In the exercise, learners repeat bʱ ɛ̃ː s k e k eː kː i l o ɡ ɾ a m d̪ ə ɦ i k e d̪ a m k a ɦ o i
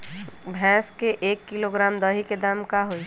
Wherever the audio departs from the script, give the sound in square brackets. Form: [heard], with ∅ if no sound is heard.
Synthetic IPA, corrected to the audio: bʱ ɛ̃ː s k e [ʔ] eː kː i l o ɡ ɾ a m d̪ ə ɦ i k e d̪ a m k a ɦ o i